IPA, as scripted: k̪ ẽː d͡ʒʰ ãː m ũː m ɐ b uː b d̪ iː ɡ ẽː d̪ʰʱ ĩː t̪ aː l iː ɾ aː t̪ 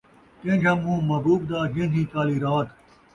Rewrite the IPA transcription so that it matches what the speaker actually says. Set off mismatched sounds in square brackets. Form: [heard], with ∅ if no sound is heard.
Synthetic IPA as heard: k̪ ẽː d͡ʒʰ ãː m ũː m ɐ b uː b d̪ [aː] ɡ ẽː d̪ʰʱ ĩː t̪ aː l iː ɾ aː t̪